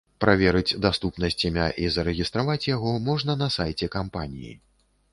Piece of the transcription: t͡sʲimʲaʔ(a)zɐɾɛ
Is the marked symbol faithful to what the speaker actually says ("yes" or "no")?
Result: no